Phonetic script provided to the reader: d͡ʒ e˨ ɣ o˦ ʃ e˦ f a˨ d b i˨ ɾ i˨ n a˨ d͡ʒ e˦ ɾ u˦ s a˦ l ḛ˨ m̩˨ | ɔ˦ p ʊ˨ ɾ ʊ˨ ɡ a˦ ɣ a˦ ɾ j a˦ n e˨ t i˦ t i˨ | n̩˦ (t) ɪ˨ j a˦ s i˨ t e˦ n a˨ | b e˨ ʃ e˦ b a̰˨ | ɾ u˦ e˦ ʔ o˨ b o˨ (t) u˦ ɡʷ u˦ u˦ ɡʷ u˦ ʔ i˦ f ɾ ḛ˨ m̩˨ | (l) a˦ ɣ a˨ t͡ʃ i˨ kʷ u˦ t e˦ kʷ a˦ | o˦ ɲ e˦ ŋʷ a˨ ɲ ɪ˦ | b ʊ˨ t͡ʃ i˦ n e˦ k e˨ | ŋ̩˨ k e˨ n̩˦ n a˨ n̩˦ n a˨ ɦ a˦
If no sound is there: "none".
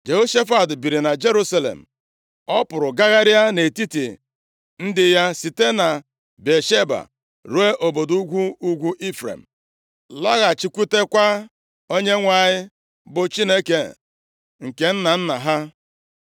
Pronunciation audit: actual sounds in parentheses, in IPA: d, d, l

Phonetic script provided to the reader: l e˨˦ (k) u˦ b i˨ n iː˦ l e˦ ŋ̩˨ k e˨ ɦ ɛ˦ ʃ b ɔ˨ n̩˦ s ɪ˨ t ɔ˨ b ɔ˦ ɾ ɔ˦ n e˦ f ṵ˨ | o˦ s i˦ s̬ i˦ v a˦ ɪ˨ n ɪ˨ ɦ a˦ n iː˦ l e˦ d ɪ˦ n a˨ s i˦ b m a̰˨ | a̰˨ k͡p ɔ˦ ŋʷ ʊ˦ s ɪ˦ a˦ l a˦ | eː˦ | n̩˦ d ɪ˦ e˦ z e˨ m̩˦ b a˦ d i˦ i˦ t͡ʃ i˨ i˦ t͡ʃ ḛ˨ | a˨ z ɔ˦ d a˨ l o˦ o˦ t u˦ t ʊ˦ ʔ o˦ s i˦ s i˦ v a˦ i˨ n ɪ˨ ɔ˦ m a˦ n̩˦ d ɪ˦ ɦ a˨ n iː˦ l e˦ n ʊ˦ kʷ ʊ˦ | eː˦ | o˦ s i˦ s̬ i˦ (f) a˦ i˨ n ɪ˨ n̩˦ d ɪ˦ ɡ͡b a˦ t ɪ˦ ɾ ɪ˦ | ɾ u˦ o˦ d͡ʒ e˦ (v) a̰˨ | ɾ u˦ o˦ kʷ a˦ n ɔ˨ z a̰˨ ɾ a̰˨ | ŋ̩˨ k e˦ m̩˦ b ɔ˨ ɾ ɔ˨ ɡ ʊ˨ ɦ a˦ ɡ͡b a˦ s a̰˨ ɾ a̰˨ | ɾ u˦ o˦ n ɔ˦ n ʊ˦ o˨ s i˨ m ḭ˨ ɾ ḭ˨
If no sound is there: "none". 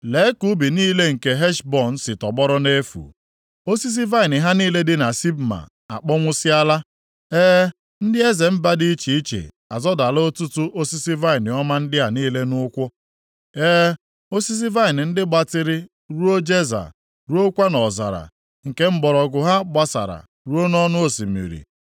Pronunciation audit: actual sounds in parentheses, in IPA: k, v, z

